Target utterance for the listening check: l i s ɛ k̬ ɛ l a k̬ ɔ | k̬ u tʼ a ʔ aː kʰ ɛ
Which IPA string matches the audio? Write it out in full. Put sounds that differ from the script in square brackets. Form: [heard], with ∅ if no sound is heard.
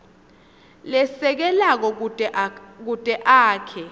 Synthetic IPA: l [ɛ] s ɛ k̬ ɛ l a k̬ ɔ | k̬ u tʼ [ɛ] ʔ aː kʰ ɛ